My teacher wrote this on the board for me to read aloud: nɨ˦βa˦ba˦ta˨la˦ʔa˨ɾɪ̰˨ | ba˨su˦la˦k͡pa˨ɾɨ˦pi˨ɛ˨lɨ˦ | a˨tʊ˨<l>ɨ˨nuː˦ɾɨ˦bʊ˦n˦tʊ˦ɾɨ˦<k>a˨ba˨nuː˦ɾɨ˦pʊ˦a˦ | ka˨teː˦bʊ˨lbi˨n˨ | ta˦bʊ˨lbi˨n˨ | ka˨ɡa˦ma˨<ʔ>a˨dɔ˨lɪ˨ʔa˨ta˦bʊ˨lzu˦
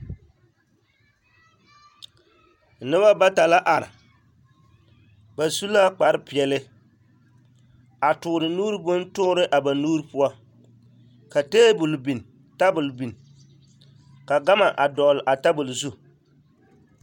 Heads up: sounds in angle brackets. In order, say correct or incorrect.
incorrect: ɾ, incorrect: ʔ, correct

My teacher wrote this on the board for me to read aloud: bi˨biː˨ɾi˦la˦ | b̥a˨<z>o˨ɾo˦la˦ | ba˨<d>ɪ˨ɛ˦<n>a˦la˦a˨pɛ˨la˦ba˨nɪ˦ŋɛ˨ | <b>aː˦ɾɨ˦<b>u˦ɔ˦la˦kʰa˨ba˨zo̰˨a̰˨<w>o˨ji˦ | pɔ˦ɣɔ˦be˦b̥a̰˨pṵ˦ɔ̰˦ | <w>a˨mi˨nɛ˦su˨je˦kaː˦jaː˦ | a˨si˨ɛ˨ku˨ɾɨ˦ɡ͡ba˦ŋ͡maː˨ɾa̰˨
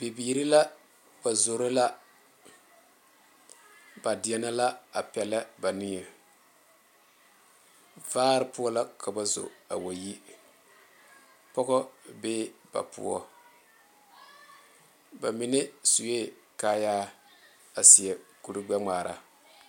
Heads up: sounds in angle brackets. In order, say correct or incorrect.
correct, correct, correct, incorrect: v, incorrect: p, correct, incorrect: b

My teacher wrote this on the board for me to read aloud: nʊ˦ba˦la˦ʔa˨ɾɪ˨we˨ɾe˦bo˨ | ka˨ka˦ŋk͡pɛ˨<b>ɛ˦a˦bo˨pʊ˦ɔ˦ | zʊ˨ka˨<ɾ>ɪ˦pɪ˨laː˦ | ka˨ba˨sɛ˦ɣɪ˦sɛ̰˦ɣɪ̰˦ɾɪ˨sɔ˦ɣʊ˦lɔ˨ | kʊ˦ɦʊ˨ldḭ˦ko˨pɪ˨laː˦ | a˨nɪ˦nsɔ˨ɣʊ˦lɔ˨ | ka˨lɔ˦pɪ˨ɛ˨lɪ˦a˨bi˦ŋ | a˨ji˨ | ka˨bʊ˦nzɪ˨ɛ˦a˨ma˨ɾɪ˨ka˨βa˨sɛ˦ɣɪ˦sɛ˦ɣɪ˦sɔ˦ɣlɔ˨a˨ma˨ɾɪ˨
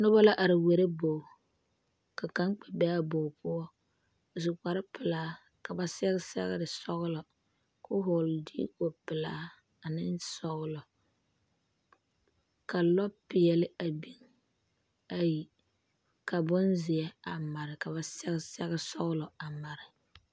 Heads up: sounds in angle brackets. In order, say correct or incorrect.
correct, correct

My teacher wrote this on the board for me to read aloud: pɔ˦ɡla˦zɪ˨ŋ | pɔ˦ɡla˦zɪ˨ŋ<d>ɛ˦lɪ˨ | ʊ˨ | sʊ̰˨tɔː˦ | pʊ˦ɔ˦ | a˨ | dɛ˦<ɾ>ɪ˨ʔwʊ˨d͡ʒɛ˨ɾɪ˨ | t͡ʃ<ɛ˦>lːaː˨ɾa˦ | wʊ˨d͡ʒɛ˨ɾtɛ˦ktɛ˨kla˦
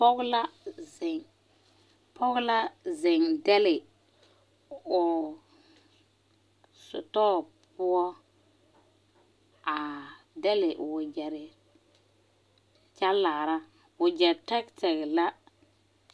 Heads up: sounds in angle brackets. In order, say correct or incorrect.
correct, incorrect: l, incorrect: a˦

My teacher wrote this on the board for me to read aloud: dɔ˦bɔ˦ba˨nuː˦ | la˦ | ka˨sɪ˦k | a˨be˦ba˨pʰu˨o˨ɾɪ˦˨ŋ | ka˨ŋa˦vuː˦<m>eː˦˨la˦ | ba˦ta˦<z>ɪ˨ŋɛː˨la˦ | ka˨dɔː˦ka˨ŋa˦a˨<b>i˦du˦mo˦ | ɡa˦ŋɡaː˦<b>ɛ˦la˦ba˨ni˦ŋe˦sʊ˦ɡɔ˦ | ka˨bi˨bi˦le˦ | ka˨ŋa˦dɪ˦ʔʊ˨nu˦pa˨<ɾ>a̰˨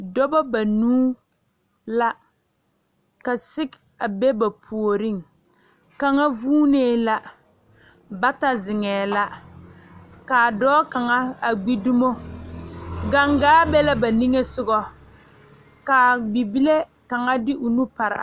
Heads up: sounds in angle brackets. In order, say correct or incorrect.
incorrect: n, correct, incorrect: ɡ͡b, correct, correct

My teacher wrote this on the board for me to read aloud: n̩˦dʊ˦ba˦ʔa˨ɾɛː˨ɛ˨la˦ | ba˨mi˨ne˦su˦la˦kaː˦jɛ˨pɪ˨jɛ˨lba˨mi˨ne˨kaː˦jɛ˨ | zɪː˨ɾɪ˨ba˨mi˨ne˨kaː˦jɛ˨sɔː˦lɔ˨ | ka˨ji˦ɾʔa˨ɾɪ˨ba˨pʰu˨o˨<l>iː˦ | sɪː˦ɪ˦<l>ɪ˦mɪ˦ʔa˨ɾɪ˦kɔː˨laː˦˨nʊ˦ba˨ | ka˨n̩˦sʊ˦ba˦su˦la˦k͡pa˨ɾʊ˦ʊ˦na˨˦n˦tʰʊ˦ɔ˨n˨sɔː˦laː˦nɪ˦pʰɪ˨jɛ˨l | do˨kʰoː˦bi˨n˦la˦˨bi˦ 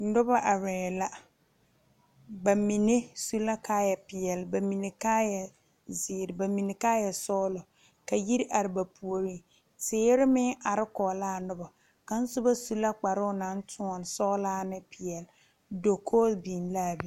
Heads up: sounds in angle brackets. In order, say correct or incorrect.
incorrect: ɾ, incorrect: ɾ

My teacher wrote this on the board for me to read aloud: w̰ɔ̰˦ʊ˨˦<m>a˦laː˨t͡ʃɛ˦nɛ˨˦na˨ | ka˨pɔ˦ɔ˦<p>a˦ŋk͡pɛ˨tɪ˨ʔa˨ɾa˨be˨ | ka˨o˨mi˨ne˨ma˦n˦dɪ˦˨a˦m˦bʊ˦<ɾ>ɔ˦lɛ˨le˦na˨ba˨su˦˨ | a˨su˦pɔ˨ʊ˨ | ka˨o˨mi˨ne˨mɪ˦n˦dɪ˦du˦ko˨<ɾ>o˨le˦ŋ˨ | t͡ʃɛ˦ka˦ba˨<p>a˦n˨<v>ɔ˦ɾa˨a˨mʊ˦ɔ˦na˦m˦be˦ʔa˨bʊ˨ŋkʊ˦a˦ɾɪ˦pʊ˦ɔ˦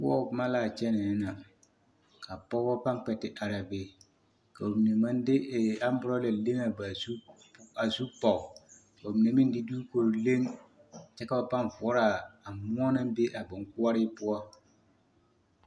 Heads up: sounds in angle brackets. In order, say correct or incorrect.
correct, correct, correct, correct, correct, correct

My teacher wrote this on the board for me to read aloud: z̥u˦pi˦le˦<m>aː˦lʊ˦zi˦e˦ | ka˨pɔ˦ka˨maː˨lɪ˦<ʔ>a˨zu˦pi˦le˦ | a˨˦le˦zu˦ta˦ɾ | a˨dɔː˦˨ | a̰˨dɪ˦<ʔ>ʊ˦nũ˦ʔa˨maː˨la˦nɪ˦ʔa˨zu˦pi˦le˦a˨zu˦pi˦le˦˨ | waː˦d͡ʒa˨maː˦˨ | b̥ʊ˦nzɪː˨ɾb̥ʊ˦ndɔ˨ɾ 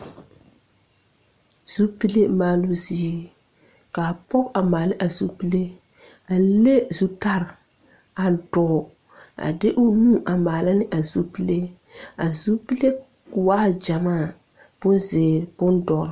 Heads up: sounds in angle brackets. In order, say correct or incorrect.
correct, correct, correct

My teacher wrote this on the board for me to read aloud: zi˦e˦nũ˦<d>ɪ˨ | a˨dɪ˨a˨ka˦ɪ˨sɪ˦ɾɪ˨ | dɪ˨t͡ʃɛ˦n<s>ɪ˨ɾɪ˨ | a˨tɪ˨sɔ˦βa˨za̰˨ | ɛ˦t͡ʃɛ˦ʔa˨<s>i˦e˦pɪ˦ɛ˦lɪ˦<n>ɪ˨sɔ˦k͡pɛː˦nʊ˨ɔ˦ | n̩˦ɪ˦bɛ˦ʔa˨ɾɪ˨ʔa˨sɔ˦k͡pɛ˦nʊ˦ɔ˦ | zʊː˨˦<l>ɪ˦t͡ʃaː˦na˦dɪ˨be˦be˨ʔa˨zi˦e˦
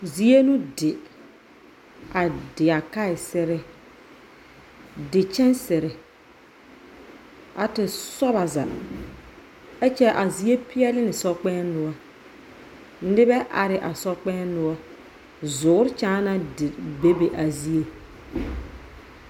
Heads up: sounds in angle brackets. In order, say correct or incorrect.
correct, correct, incorrect: z, correct, incorrect: ɾ

